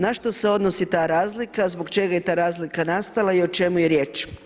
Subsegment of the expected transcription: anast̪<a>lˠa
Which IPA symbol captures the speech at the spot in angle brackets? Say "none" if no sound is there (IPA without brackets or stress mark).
a